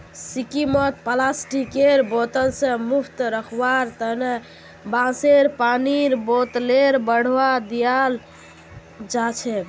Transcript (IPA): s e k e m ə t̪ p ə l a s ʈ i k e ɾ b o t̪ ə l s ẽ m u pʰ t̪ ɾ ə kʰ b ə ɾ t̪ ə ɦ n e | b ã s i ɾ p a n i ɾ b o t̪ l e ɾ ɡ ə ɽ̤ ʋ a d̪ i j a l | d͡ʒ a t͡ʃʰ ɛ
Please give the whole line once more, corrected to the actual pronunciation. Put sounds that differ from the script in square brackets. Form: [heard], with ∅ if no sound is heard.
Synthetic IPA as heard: s [i] k [i] m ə t̪ p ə l a s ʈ i k e ɾ b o t̪ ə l s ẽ m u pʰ t̪ ɾ ə kʰ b [a] ɾ t̪ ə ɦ n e | b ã s [e] ɾ p a n i ɾ b o t̪ l e ɾ [b] ə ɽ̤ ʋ a d̪ i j a l | d͡ʒ a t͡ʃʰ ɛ